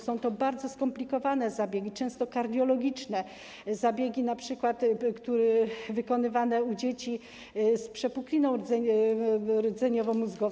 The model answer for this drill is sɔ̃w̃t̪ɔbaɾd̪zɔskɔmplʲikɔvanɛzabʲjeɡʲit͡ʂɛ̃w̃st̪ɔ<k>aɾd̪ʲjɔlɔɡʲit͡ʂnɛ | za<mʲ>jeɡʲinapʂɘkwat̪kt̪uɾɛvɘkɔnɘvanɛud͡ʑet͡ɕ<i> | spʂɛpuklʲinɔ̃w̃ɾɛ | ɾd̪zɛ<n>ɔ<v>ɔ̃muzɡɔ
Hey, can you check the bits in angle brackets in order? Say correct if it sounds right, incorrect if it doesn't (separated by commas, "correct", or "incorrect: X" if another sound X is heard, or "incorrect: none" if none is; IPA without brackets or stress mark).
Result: correct, incorrect: bʲ, correct, incorrect: ɲ, correct